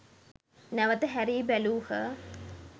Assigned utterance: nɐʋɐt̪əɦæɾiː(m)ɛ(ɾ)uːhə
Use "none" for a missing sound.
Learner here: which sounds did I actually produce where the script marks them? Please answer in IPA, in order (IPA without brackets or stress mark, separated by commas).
b, l